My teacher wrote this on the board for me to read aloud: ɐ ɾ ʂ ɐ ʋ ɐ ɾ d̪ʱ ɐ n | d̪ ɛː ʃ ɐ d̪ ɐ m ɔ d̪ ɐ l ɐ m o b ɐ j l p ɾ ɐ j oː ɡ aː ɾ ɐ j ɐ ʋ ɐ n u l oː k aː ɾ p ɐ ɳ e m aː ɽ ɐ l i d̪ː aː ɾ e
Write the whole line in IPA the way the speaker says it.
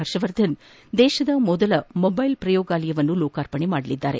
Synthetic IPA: ɐ ɾ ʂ ɐ ʋ ɐ ɾ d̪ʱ ɐ n | d̪ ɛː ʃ ɐ d̪ ɐ m ɔ d̪ ɐ l ɐ m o b ɐ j l p ɾ ɐ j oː ɡ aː l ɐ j ɐ ʋ ɐ nː u l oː k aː ɾ p ɐ ɳ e m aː ɽ ɐ l i d̪ː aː ɾ e